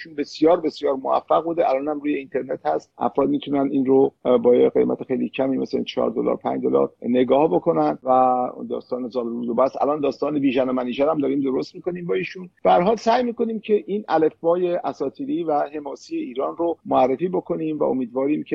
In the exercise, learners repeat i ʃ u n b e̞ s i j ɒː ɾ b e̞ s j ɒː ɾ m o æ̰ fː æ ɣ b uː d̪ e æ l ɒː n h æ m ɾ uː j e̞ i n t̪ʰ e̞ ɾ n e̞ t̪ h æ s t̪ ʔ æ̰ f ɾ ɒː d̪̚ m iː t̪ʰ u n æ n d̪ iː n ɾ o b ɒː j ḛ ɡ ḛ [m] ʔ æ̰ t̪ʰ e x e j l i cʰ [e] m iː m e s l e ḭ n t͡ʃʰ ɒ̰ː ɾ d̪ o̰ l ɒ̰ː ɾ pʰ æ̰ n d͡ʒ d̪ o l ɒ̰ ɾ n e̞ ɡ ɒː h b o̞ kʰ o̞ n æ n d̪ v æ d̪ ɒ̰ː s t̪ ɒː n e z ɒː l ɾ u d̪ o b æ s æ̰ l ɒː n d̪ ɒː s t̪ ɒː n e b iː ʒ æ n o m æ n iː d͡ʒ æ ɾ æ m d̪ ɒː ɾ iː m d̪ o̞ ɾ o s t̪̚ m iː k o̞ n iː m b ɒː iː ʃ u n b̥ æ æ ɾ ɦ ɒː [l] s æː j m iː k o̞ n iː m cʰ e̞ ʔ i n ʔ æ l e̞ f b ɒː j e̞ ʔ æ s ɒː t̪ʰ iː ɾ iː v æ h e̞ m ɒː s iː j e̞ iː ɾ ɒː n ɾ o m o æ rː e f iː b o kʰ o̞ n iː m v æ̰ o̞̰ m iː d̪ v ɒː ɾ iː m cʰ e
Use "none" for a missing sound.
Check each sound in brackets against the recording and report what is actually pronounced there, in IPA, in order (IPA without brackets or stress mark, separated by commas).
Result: m, æ, l